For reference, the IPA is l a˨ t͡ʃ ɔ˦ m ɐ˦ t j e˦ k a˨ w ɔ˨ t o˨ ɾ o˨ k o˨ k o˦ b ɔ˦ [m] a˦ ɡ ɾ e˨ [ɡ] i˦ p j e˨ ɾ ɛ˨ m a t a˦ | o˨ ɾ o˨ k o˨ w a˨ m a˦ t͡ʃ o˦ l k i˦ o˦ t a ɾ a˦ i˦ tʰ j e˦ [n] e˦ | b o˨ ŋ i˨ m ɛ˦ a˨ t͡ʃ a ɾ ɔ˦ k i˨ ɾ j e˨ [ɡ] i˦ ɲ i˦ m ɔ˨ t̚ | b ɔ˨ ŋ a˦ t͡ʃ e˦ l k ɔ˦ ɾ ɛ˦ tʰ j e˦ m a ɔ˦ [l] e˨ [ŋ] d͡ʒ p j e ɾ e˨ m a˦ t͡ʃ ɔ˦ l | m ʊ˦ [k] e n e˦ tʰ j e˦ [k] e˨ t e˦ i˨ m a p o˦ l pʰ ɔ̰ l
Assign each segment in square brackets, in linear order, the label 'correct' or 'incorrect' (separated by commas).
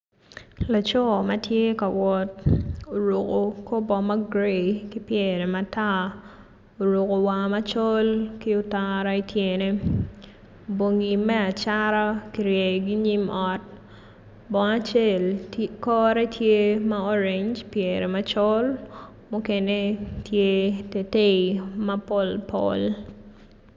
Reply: correct, incorrect, correct, correct, incorrect, incorrect, correct, incorrect